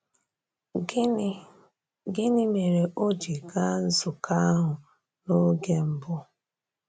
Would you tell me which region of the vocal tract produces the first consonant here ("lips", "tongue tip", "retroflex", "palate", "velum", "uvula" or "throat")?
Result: velum